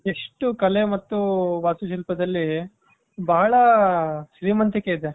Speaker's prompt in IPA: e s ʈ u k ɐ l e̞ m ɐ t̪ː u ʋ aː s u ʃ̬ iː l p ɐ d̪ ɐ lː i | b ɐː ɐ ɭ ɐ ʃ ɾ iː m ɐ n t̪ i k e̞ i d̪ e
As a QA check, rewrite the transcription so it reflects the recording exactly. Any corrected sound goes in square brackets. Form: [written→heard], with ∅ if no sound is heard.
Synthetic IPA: e [s→ʂ] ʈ u k ɐ l e̞ m ɐ t̪ː u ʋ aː s u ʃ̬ [iː→i] l p ɐ d̪ ɐ lː i | b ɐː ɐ ɭ ɐ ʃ ɾ iː m ɐ n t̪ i k e̞ i d̪ e